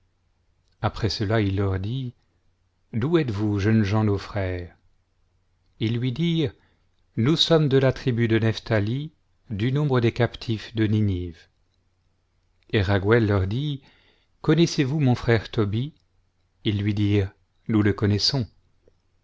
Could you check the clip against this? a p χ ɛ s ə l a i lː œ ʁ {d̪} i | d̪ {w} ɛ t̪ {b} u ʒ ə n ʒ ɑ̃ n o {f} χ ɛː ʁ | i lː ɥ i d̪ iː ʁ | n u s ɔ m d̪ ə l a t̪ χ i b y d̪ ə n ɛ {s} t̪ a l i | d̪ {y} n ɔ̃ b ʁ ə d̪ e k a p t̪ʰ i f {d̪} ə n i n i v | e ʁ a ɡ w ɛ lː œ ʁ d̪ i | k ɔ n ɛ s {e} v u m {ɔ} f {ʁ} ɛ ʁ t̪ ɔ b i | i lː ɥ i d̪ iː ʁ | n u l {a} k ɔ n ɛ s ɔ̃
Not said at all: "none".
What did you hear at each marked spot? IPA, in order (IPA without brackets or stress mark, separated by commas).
d̪, u, v, f, f, y, d̪, e, ɔ̃, χ, ə